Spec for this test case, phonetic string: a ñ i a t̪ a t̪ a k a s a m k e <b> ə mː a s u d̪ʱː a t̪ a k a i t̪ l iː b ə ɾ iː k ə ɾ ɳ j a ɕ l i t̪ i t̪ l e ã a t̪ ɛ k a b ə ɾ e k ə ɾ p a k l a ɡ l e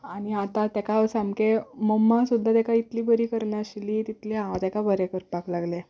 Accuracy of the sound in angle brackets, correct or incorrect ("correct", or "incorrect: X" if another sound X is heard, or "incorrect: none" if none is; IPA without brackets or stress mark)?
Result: incorrect: m